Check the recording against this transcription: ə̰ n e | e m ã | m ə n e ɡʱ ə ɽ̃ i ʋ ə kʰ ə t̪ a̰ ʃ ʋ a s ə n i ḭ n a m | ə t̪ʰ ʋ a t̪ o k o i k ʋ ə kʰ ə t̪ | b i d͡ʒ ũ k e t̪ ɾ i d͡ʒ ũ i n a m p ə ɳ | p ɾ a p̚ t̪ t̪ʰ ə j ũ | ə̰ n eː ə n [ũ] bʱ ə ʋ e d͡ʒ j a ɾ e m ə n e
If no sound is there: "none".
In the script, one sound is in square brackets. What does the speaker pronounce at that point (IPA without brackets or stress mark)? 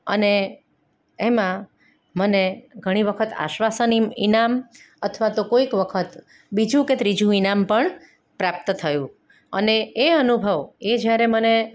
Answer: u